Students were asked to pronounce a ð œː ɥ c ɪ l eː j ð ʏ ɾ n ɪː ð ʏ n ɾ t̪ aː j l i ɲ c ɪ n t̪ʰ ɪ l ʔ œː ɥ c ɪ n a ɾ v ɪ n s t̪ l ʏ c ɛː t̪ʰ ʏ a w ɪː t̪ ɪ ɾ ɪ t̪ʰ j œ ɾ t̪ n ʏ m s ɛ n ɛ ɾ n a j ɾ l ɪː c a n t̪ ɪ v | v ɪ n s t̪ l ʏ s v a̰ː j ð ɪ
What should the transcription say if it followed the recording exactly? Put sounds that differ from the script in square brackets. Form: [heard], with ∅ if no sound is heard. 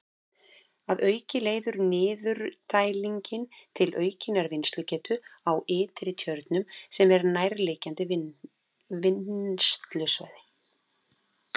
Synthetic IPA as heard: a ð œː ɥ c ɪ l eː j ð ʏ ɾ n ɪː ð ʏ [∅] ɾ t̪ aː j l i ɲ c ɪ n t̪ʰ ɪ l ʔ œː ɥ c ɪ n a ɾ v ɪ n s t̪ l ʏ c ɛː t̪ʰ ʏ a w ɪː t̪ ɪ ɾ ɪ t̪ʰ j œ ɾ t̪ n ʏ m s ɛ [m] ɛ ɾ n a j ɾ l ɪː c a n t̪ ɪ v | v ɪ n s t̪ l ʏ s v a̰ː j ð ɪ

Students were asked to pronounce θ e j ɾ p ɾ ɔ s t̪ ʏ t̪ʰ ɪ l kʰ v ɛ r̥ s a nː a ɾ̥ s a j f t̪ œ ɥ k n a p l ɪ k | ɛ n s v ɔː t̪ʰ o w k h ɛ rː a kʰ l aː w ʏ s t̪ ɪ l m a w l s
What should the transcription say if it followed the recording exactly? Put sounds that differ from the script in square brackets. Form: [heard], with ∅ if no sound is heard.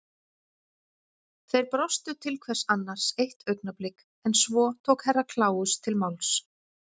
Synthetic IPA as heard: θ e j ɾ p ɾ ɔ s t̪ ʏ t̪ʰ ɪ l kʰ v ɛ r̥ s a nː a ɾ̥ s [e] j [h] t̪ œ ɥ k n a p l ɪ k | ɛ n s v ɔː t̪ʰ o w k h ɛ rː a kʰ l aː w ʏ s [t̪ʰ] ɪ l m a w l s

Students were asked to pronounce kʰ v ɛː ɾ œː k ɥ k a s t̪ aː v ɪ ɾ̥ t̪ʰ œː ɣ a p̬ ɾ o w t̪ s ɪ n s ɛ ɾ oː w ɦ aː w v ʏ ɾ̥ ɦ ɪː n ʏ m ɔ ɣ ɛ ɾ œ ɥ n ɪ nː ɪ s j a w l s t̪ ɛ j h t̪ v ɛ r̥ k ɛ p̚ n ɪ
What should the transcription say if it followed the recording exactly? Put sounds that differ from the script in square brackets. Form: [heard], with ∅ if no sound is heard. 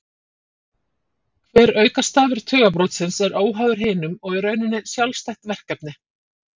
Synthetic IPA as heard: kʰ v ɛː ɾ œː [∅] ɥ k a s t̪ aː v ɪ ɾ̥ t̪ʰ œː ɣ a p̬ ɾ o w t̪ s ɪ n s ɛ ɾ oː w ɦ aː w [ð] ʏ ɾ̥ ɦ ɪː n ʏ m ɔ ɣ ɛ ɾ œ ɥ n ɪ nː ɪ s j a w l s t̪ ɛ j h t̪ v ɛ r̥ k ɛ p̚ n ɪ

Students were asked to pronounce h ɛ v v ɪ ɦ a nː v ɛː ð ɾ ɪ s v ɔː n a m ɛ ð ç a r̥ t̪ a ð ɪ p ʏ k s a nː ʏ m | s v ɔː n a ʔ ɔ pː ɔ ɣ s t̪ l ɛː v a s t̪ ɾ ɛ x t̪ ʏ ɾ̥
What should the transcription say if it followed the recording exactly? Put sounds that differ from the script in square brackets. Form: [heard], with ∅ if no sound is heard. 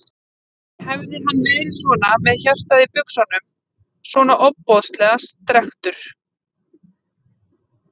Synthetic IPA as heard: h ɛ v [ð] ɪ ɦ a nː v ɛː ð ɾ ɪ s v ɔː n a m ɛ ð ç a r̥ t̪ a ð ɪ p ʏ k s a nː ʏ m | s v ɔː n a ʔ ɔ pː ɔ [ð] s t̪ l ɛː [ɣ] a s t̪ ɾ ɛ x t̪ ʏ ɾ̥

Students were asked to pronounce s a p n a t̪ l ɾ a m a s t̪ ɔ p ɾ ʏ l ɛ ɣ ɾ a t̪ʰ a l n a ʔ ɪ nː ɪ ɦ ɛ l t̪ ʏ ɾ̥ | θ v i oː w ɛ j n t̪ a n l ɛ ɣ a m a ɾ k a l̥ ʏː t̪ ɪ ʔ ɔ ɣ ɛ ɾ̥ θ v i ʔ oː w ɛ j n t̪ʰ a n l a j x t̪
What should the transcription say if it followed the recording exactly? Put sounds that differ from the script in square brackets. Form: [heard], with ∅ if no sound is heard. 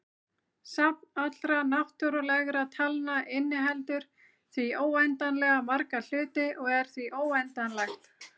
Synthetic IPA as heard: s a p n a t̪ l ɾ a [n] a [h] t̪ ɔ [∅] ɾ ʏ l ɛ ɣ ɾ a t̪ʰ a l n a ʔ ɪ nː ɪ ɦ ɛ l t̪ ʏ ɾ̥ | θ v i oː w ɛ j n t̪ a n l ɛ ɣ a m a ɾ k a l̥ ʏː t̪ ɪ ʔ ɔ ɣ ɛ ɾ̥ θ v i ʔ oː w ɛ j n [t̪] a n l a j x t̪

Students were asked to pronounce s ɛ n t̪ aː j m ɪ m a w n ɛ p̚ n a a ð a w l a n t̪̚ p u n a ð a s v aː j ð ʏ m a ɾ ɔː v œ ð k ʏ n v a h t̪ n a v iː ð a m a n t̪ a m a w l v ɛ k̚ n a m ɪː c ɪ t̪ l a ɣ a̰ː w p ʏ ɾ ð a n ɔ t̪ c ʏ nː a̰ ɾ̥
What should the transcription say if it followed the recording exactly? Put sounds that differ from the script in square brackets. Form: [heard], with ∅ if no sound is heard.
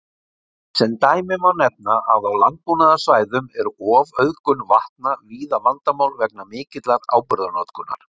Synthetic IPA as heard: s ɛ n t̪ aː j m ɪ m a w n ɛ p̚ n a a ð a w l a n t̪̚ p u n a ð a s v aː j ð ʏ m [ɛ] ɾ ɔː v œ ð k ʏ n v a h t̪ n a v iː ð a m a n t̪ a m a w l v ɛ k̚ n a m ɪː c ɪ t̪ l a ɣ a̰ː w p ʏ ɾ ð a n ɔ t̪ [k] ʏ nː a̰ ɾ̥

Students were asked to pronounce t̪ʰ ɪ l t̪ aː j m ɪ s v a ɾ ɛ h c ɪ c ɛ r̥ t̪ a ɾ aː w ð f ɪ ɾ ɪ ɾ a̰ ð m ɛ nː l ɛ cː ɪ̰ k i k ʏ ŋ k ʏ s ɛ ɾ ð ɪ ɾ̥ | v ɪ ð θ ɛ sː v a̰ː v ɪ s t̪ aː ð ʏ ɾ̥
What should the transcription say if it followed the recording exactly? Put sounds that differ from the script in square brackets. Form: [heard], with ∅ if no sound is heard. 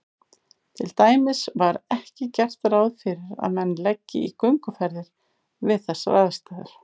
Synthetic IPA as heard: t̪ʰ ɪ l t̪ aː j m ɪ s v a ɾ ɛ h c ɪ c ɛ r̥ t̪ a ɾ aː w ð f ɪ ɾ ɪ ɾ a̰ ð m ɛ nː l ɛ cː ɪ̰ [∅] i k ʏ ŋ k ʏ [f] ɛ ɾ ð ɪ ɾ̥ | v ɪ ð θ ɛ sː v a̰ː [ð] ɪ s t̪ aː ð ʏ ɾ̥

